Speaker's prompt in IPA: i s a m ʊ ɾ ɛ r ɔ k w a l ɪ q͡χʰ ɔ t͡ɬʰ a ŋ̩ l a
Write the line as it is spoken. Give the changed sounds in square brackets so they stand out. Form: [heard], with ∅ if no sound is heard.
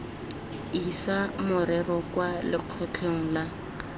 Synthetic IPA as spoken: i s a m ʊ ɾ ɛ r ɔ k w a l ɪ q͡χʰ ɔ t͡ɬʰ [e] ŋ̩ l a